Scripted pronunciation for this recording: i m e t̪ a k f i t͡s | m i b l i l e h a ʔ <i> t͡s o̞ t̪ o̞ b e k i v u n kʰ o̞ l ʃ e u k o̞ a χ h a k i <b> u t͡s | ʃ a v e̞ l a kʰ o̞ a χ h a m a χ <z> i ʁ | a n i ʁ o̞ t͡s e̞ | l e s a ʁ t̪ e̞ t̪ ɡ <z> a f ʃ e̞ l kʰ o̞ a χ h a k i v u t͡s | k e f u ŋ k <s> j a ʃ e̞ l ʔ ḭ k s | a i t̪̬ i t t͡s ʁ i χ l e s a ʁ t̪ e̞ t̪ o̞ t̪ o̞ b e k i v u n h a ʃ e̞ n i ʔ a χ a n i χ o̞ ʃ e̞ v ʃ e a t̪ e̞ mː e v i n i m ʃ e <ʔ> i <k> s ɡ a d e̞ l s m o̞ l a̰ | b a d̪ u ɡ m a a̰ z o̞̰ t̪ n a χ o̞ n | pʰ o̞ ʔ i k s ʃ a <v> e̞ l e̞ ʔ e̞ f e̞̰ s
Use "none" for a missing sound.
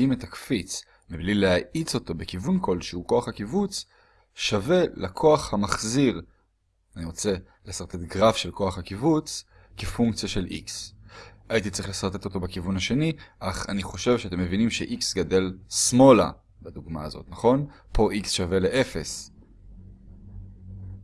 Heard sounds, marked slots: i, v, z, ʁ, t͡s, ʔ, k, v

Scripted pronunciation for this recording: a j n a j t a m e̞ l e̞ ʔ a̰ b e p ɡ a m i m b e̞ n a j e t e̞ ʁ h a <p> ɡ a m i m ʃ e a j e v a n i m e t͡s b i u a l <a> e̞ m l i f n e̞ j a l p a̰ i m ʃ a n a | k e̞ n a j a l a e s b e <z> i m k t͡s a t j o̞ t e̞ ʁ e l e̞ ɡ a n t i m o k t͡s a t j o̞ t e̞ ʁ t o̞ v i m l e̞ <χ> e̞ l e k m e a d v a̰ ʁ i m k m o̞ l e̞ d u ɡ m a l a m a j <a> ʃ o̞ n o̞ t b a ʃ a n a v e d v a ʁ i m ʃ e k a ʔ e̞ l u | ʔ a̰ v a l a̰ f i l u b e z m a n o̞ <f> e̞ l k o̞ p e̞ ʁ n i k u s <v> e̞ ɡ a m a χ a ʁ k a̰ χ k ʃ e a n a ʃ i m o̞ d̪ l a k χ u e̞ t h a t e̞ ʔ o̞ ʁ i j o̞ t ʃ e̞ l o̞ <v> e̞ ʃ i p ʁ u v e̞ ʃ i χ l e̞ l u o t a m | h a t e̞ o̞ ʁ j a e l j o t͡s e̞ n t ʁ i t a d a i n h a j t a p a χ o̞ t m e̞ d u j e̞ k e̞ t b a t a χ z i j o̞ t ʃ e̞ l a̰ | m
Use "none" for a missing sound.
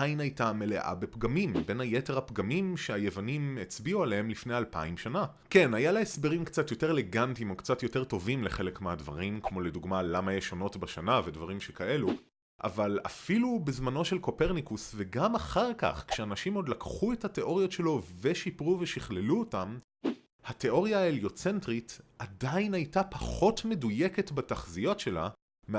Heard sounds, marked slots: p, e, ʁ, χ, e, ʃ, v, v

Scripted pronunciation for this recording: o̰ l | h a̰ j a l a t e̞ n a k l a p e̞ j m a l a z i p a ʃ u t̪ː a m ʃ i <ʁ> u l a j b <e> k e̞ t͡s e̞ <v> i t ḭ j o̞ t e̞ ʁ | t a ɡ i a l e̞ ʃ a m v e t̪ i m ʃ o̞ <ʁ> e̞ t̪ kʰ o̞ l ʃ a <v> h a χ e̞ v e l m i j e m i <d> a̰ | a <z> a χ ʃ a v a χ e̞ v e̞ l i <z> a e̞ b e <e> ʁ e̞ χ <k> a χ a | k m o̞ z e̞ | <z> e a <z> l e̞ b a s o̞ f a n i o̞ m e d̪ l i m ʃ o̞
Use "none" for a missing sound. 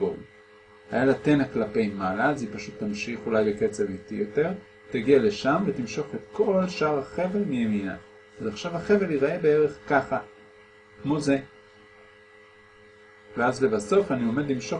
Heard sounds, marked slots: χ, e, v, χ, ʁ, n, z, ʁ, e, k, v, z

